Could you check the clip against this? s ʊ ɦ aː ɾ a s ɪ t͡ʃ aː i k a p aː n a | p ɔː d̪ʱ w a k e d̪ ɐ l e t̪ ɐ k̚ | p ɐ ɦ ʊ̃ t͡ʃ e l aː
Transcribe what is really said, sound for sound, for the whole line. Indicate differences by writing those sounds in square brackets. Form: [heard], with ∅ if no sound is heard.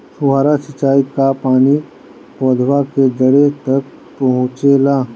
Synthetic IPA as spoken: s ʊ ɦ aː ɾ a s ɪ t͡ʃ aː i k a p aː n [i] | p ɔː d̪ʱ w a k e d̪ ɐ [ɽ] e t̪ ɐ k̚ | p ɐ ɦ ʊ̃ t͡ʃ e l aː